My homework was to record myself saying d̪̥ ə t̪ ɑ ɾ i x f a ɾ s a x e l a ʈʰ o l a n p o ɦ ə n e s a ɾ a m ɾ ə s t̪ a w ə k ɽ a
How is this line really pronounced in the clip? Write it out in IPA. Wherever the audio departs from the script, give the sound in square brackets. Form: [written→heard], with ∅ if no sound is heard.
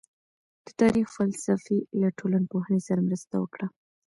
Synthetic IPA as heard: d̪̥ ə t̪ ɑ ɾ i x f a [ɾ→l] s a [x→f] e l a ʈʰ o l a n p o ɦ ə n e s a ɾ a m ɾ ə s t̪ a w ə k ɽ a